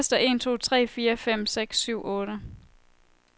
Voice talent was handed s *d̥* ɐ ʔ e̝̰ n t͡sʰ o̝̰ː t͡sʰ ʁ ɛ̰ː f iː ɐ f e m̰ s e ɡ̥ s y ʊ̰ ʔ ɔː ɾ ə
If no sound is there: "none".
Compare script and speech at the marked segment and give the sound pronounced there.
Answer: d̥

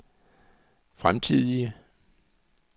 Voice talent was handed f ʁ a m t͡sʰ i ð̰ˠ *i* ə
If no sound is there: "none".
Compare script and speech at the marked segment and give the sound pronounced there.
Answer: i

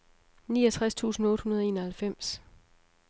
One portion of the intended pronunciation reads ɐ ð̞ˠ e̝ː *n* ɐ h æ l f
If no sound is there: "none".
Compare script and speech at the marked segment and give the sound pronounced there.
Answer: n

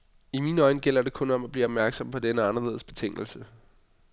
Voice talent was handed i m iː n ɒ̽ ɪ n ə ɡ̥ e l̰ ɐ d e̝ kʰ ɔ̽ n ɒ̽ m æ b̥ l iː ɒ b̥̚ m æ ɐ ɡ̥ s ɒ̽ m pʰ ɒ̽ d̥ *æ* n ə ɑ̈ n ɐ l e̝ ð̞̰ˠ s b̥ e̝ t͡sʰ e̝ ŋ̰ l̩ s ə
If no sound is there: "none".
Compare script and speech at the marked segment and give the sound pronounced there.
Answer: e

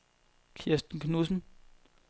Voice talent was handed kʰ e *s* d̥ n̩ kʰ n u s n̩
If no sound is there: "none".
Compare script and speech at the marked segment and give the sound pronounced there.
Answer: s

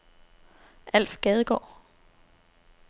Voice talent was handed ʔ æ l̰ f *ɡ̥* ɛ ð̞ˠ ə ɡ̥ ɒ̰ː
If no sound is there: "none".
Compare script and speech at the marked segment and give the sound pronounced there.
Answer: ɡ̥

